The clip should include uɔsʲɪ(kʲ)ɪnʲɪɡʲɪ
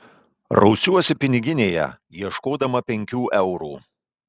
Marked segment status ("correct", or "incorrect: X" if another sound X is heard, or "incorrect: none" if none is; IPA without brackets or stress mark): incorrect: pʲ